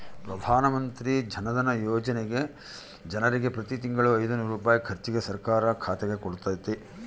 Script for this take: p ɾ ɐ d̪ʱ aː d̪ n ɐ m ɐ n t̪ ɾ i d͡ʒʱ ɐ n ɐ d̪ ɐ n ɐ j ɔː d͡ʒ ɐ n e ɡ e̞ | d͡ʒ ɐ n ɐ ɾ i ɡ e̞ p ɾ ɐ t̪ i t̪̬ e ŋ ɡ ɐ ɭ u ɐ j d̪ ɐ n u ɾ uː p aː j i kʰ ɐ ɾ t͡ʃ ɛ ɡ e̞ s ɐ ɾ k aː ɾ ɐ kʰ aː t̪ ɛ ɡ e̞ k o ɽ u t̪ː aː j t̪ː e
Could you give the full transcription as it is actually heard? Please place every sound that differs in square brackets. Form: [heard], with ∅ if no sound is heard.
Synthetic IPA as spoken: p ɾ ɐ d̪ʱ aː [∅] n ɐ m ɐ n t̪ ɾ i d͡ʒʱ ɐ n ɐ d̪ ɐ n ɐ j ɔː d͡ʒ ɐ n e ɡ e̞ | d͡ʒ ɐ n ɐ ɾ i ɡ e̞ p ɾ ɐ t̪ i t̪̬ [i] ŋ ɡ ɐ ɭ u ɐ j d̪ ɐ n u ɾ uː p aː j i kʰ ɐ ɾ t͡ʃ [i] ɡ e̞ s ɐ ɾ k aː ɾ ɐ kʰ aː t̪ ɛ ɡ e̞ k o ɽ u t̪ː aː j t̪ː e